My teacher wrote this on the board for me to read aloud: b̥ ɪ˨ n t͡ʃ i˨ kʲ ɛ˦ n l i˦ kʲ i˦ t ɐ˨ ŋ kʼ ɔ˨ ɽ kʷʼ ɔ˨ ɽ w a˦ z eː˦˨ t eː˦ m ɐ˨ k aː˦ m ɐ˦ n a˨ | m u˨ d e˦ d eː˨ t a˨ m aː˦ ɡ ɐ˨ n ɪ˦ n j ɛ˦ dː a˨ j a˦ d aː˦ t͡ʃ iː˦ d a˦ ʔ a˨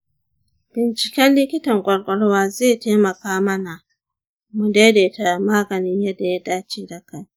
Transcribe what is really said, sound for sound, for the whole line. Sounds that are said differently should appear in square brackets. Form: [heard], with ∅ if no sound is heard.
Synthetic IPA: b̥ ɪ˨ n t͡ʃ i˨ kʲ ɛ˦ n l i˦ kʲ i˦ t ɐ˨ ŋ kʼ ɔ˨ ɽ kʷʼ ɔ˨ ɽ w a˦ z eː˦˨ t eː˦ m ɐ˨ k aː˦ m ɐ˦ n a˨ | m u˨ d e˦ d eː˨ t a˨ m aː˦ ɡ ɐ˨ n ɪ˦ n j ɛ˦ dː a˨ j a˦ d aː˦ t͡ʃ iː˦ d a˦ [k] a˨